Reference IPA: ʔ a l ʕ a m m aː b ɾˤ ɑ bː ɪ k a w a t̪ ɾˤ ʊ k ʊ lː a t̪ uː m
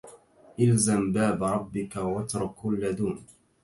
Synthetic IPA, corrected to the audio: ʔ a l z a m b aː b ɾˤ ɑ bː ɪ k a w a t̪ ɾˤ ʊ k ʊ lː a d̪ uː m